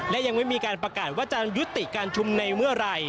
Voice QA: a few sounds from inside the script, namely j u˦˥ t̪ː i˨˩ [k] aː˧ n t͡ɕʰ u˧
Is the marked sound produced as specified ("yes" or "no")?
yes